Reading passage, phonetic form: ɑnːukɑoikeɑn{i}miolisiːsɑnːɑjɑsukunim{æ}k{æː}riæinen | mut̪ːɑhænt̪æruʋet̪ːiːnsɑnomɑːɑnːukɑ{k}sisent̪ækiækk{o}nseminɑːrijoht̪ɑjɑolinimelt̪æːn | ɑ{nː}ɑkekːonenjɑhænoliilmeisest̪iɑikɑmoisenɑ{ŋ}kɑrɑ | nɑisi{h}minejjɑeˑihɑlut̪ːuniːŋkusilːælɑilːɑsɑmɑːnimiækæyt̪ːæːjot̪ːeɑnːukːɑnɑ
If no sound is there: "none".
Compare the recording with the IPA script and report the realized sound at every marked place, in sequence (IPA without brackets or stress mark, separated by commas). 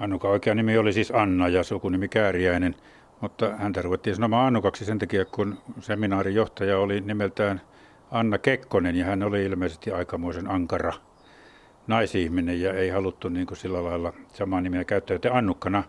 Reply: i, i, æː, k, u, nː, ŋ, h